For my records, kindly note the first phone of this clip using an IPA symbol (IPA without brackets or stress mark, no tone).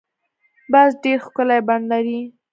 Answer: b